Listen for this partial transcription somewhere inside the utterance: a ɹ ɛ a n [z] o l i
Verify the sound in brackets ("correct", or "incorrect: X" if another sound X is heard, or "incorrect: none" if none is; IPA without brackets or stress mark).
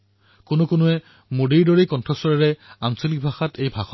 incorrect: s